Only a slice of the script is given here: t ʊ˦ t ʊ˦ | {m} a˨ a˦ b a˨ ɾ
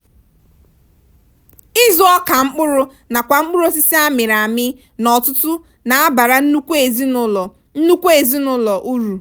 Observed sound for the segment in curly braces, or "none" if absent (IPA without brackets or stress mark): n